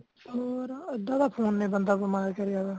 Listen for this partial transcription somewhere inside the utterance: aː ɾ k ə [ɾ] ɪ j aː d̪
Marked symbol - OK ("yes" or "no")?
yes